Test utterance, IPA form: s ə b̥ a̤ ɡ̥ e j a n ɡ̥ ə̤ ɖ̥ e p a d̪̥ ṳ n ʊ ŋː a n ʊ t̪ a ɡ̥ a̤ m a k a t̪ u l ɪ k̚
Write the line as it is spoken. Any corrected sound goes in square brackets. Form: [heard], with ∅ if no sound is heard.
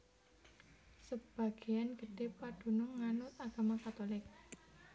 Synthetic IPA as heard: s ə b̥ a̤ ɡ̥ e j a n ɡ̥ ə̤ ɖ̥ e p a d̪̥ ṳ n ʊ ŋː a n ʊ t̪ a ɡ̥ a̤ m a k a t̪ [o] l ɪ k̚